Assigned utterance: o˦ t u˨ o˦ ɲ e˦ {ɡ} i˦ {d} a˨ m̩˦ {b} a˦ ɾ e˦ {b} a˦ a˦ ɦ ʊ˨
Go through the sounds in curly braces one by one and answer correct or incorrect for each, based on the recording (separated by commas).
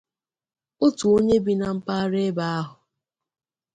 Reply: incorrect, incorrect, incorrect, correct